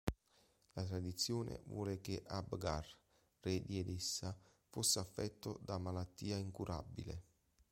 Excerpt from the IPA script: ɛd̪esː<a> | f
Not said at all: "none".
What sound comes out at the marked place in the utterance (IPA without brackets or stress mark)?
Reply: a